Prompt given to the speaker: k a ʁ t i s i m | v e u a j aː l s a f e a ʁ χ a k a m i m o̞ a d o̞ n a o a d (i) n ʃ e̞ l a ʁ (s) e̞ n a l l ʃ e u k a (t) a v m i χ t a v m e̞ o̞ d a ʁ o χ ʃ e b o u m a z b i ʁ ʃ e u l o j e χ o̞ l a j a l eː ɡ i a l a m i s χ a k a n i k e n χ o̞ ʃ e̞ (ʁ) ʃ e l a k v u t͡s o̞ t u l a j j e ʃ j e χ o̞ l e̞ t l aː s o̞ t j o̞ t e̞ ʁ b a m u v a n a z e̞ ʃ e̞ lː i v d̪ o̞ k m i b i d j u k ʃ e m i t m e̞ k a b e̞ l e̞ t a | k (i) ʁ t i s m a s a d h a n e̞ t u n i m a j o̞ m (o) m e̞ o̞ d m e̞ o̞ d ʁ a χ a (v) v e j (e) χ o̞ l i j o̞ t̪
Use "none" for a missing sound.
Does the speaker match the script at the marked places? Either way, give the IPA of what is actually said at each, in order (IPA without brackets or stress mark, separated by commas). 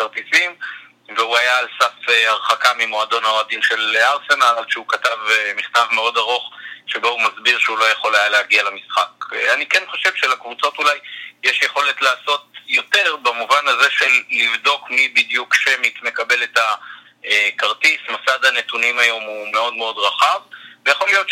i, s, t, v, a, u, v, a